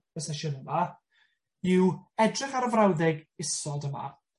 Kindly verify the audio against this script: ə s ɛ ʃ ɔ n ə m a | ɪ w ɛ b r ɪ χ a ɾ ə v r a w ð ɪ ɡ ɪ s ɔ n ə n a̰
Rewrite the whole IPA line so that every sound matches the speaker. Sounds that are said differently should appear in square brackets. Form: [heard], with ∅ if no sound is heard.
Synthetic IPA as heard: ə s ɛ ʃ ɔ n ə m a | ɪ w ɛ [d] r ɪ χ a ɾ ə v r a w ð ɪ ɡ ɪ s ɔ [d] ə [m] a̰